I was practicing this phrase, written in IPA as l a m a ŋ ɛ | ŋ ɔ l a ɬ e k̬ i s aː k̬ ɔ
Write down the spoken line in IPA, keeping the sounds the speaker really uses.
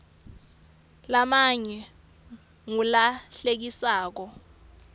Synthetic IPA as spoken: l a m a ɲ ɛ | ŋ u l a ɬ e k̬ i s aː k̬ ɔ

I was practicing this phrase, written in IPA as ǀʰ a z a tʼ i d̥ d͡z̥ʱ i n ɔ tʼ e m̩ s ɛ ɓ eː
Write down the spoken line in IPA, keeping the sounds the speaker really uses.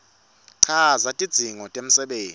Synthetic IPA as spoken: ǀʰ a z a tʼ i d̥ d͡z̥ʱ i ŋ ɔ tʼ e m̩ s ɛ ɓ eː

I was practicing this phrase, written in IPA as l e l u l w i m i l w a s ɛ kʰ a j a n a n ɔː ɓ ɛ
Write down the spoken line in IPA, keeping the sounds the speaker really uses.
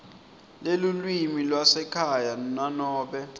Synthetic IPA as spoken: l e l u l w i m i l w a s ɛ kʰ a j a n a n ɔː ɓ ɛ

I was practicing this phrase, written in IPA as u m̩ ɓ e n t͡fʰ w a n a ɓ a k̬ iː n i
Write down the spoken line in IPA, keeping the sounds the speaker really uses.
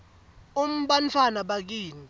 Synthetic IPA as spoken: u m̩ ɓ a n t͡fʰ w a n a ɓ a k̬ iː n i

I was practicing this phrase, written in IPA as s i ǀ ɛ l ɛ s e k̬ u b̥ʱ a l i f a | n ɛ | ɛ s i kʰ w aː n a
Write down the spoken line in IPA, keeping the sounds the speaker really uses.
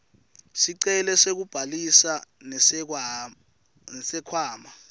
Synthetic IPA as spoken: s i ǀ ɛ l ɛ s e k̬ u b̥ʱ a l i s a | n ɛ | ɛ s ɛ kʰ w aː m a

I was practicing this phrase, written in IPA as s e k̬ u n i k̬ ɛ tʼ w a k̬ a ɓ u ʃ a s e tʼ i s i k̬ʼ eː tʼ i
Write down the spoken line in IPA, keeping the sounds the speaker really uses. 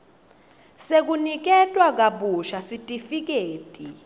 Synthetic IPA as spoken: s e k̬ u n i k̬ ɛ tʼ w a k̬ a ɓ u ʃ a s i tʼ i f i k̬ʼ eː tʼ i

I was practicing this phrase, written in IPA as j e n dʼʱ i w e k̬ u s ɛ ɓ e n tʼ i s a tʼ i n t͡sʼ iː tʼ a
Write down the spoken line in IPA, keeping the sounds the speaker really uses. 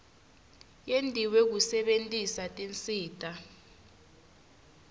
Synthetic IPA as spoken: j e n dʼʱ i w e k̬ u s ɛ ɓ e n tʼ i s a tʼ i n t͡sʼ iː tʼ a

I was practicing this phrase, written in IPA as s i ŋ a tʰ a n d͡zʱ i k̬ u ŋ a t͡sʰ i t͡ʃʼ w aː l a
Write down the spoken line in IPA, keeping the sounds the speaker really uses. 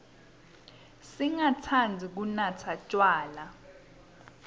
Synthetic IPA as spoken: s i ŋ a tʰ a n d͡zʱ i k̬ u n a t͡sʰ a t͡ʃʼ w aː l a

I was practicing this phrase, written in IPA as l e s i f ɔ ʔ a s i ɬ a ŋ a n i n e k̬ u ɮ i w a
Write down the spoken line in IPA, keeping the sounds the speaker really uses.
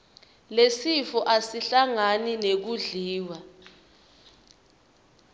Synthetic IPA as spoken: l e s i f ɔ ʔ a s i ɬ a ŋ a n i n e k̬ u ɮ iː w a

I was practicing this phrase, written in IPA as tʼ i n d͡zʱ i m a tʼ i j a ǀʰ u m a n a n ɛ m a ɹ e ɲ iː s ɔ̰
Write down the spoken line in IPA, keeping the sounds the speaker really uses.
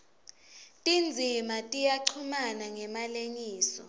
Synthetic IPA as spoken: tʼ i n d͡zʱ i m a tʼ i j a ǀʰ u m a n a ŋ ɛ m a l e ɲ iː s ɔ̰

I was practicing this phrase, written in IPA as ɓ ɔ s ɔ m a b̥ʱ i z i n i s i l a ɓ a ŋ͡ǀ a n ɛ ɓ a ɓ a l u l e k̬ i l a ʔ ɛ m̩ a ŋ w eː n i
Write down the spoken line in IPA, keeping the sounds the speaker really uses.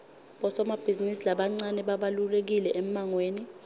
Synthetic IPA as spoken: ɓ ɔ s ɔ m a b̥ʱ i z i n i s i l a ɓ a ŋ͡ǀ a n ɛ ɓ a ɓ a l u l e k̬ i l ɛ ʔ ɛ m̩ a ŋ w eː n i

